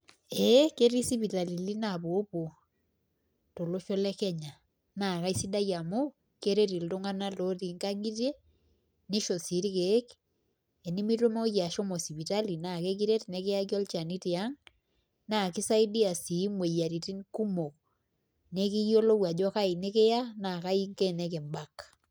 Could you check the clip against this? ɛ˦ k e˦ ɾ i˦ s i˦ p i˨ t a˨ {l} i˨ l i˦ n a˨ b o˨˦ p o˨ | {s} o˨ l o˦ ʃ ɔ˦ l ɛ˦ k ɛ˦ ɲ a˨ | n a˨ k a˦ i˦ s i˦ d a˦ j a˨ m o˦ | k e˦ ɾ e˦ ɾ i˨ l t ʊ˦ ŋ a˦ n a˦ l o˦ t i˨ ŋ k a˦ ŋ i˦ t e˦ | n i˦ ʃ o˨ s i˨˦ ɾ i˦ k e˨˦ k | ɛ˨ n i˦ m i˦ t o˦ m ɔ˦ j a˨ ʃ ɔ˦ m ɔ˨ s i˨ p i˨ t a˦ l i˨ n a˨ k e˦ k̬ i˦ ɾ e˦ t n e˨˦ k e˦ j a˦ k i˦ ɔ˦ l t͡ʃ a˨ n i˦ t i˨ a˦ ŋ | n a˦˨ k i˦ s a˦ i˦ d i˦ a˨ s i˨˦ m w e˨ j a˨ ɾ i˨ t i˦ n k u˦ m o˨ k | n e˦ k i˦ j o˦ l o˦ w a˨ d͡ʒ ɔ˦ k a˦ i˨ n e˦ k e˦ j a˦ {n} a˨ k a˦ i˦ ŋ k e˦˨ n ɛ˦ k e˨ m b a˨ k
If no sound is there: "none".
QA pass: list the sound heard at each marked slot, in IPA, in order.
l, t, n

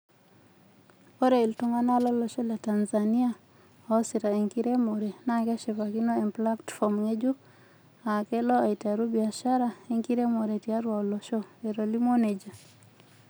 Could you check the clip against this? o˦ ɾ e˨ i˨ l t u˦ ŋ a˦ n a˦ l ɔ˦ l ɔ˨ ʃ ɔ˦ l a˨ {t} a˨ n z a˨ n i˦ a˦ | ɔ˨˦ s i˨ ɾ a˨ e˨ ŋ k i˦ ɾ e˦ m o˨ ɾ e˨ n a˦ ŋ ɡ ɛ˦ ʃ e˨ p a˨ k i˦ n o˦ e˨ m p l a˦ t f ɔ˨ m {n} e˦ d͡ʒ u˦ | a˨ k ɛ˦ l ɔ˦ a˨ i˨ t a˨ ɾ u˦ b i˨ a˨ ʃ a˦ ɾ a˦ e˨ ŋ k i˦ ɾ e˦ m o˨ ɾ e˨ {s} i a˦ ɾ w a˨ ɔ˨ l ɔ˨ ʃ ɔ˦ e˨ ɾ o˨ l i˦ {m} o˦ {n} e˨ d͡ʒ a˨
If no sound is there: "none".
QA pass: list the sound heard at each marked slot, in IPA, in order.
t, ŋ, t, m, n

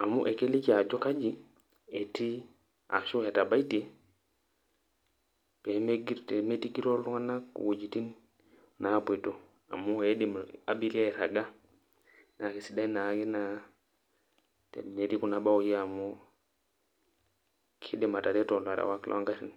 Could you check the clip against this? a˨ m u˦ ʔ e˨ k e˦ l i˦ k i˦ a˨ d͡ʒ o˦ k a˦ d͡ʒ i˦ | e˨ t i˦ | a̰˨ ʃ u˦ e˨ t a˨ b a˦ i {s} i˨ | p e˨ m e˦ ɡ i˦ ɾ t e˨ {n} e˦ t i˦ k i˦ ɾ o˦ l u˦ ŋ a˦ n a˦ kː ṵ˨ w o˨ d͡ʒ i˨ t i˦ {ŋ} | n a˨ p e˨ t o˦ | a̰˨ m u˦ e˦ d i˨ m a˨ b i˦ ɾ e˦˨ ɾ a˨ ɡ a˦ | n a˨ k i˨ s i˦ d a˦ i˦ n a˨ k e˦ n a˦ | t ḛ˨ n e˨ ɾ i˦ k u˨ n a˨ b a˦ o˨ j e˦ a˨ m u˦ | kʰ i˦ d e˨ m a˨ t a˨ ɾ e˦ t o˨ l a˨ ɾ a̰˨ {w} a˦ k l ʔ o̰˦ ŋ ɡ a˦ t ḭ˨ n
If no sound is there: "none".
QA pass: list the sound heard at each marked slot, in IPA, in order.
t, m, n, w

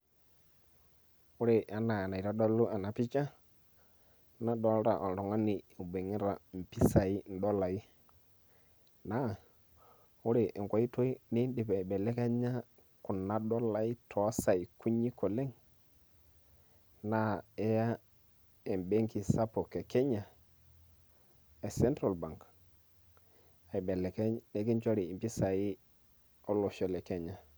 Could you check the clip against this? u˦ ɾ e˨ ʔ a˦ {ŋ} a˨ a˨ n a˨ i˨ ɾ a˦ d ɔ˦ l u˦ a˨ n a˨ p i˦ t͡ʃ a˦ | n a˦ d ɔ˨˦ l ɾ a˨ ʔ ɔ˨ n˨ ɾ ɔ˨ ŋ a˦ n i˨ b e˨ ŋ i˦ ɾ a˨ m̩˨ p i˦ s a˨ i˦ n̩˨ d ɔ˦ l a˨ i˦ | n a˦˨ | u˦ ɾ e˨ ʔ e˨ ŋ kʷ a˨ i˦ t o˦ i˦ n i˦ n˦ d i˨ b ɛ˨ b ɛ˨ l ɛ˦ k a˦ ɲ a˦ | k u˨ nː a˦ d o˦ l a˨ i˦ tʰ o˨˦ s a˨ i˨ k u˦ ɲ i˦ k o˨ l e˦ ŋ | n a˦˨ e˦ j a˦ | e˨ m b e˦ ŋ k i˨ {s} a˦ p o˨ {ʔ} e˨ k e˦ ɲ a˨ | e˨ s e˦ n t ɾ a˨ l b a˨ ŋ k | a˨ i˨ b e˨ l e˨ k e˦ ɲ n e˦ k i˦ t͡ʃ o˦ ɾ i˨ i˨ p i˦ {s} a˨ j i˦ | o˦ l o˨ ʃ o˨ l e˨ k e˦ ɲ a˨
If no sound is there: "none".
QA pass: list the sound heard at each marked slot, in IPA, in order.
n, s, k, s

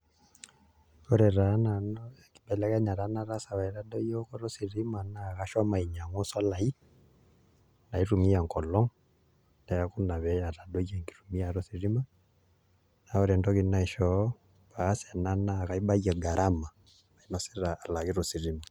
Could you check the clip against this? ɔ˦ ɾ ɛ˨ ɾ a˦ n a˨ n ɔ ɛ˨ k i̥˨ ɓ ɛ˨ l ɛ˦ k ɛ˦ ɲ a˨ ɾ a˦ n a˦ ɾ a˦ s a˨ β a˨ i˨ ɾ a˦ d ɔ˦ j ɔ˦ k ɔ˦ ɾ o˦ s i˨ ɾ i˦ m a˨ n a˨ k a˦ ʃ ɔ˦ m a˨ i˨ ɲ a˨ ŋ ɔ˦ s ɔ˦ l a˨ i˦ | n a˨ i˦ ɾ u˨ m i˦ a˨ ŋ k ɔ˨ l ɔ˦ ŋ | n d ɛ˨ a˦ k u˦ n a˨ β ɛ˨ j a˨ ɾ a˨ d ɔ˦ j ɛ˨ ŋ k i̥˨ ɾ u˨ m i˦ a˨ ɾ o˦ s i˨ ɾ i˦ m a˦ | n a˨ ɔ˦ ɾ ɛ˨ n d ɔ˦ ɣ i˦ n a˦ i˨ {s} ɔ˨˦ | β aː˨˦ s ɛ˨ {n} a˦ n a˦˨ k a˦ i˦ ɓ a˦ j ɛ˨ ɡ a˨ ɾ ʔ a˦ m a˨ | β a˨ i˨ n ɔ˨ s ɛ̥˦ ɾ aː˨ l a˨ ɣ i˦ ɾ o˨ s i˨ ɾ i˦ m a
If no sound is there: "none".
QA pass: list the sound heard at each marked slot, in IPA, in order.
ʃ, n

